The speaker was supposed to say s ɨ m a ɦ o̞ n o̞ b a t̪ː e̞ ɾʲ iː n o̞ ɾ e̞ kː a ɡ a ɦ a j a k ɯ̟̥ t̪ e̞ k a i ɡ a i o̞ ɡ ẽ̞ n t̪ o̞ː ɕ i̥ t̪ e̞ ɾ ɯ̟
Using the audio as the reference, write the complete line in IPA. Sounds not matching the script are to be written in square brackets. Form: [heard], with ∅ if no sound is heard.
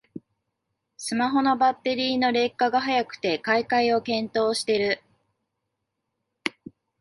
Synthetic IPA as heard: s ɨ m a ɦ o̞ n o̞ b a t̪ː e̞ ɾʲ iː n o̞ ɾ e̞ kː a ɡ a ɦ a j a k ɯ̟̥ t̪ e̞ k a i [k] a i o̞ [k] ẽ̞ n t̪ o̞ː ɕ i̥ t̪ e̞ ɾ ɯ̟